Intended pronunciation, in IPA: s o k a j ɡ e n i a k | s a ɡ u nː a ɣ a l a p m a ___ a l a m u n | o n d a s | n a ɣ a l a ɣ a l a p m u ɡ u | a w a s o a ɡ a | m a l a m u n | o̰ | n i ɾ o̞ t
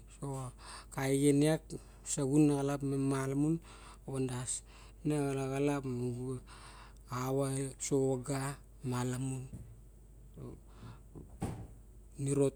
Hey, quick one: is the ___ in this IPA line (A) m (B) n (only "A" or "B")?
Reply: A